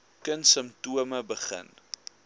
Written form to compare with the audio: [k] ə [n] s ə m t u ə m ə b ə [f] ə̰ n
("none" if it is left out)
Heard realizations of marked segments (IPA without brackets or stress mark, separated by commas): k, n, χ